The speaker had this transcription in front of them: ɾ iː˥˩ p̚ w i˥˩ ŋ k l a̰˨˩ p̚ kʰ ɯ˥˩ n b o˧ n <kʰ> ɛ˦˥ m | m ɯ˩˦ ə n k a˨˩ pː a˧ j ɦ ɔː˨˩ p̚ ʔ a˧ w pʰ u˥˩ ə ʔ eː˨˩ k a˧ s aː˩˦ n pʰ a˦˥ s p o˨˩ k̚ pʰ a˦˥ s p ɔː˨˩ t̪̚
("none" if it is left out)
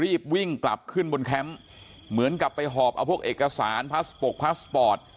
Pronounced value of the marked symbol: kʰ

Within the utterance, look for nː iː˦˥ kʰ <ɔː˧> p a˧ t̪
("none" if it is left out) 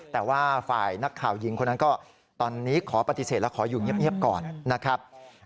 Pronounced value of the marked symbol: ɔː˩˦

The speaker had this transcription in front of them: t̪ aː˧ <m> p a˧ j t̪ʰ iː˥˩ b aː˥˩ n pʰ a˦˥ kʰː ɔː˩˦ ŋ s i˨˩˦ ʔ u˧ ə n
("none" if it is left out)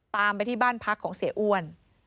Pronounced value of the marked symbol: m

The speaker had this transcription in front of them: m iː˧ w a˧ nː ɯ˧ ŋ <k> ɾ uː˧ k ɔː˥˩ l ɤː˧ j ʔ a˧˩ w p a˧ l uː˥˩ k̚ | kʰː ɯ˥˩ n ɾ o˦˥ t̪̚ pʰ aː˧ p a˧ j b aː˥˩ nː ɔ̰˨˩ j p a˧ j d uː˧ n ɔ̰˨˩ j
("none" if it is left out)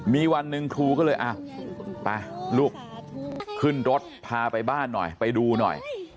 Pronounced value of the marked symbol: kʰ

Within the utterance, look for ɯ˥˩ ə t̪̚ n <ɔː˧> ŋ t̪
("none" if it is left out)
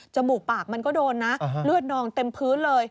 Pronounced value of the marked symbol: ɔː˧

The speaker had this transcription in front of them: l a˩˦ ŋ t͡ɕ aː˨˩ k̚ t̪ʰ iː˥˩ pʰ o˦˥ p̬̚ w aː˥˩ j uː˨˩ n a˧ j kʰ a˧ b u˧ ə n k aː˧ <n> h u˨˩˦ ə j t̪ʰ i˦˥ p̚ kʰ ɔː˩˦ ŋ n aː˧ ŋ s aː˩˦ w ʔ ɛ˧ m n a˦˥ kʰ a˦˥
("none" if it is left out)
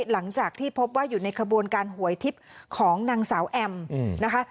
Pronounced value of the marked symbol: n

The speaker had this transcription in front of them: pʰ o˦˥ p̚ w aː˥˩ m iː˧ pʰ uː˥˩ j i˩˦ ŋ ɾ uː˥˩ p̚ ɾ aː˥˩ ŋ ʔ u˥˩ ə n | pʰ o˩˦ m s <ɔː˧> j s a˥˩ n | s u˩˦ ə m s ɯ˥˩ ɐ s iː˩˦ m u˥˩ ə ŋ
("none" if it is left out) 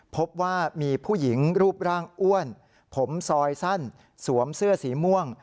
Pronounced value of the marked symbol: ɔː˧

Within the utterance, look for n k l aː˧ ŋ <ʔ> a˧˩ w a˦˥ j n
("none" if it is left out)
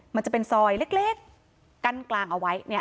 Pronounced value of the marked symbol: ʔ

